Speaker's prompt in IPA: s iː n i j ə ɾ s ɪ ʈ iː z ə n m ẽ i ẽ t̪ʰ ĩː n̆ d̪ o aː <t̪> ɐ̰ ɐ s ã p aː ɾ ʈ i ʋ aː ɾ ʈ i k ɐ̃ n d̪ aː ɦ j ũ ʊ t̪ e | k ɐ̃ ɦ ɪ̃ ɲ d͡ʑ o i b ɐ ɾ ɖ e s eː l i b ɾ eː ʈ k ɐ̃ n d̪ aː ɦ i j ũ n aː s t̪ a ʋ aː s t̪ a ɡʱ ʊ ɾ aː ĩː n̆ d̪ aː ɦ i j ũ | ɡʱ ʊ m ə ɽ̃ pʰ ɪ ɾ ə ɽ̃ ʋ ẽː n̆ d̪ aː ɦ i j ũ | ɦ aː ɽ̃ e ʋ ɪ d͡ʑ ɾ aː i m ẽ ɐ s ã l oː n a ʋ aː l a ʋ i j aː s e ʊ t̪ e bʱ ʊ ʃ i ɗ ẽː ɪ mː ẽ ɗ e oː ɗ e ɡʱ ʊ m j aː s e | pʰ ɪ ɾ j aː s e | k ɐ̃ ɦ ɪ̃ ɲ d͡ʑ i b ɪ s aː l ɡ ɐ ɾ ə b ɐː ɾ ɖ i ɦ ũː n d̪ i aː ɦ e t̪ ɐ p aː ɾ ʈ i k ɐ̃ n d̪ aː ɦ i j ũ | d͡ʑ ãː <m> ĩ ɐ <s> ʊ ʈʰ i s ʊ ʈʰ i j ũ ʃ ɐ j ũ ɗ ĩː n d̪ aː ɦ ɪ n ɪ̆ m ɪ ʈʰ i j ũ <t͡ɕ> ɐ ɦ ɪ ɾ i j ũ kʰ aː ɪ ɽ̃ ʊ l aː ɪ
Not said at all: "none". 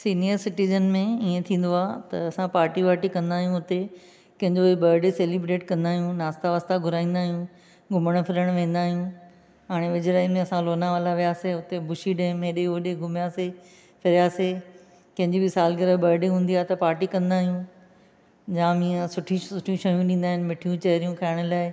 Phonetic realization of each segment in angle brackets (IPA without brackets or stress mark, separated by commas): t̪, m, s, t͡ɕ